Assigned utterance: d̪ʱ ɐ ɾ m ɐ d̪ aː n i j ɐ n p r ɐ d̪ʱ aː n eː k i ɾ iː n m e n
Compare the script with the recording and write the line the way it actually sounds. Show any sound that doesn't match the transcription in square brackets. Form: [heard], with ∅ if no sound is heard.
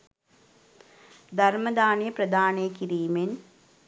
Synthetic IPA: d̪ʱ ɐ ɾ m ɐ d̪ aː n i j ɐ [∅] p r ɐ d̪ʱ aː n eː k i ɾ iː [∅] m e n